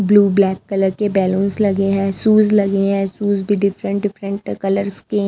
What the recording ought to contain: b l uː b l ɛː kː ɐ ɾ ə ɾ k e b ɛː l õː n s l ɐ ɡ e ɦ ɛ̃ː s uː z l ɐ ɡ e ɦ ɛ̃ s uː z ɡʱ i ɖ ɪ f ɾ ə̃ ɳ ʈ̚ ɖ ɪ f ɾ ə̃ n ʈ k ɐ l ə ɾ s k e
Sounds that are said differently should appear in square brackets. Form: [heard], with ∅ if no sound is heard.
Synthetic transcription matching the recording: b l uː b l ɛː kː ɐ [l] ə ɾ k e b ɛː l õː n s l ɐ ɡ e ɦ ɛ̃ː s uː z l ɐ ɡ e ɦ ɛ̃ s uː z [bʱ] i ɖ ɪ f ɾ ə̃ ɳ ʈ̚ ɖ ɪ f ɾ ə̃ [ɳ] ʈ k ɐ l ə ɾ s k e